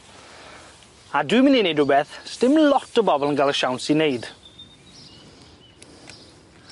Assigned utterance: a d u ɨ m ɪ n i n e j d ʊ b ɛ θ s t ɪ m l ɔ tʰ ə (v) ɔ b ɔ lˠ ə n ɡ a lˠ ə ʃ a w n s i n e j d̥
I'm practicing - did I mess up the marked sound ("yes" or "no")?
yes